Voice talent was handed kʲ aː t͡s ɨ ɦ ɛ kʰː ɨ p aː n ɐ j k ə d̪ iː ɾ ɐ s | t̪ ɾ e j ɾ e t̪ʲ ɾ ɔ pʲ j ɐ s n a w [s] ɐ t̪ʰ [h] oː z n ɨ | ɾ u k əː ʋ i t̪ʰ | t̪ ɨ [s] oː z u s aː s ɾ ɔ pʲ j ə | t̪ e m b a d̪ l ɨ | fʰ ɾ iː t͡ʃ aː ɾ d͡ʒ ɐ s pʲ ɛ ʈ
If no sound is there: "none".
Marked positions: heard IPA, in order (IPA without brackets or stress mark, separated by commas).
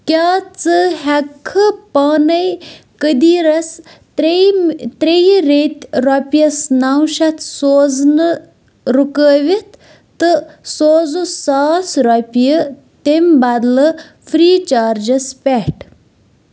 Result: ʃ, s, s